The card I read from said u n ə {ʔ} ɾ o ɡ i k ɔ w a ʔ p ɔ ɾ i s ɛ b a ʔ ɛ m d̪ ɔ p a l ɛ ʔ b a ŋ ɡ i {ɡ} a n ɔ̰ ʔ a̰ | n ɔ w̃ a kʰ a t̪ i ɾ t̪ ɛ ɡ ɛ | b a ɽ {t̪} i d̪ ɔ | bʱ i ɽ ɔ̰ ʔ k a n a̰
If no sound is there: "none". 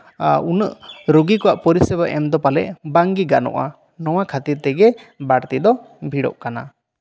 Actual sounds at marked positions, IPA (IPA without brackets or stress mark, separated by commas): ʔ, ɡ, t̪